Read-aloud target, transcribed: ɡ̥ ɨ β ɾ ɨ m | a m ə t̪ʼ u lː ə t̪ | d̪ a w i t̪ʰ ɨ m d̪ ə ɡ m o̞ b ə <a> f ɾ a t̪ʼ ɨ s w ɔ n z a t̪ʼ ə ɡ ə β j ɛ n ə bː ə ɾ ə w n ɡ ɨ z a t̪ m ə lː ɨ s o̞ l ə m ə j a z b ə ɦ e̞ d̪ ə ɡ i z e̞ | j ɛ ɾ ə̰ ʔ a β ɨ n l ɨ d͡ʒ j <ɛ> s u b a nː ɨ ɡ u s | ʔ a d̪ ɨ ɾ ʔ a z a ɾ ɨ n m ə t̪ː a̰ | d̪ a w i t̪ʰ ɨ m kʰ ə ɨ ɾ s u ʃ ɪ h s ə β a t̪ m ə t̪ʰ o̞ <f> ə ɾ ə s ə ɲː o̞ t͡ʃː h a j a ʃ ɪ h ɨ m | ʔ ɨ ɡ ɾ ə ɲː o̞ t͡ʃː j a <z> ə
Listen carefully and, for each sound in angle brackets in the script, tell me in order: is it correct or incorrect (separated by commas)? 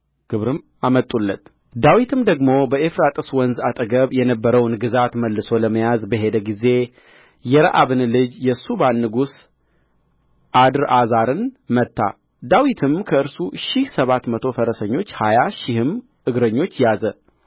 incorrect, correct, correct, correct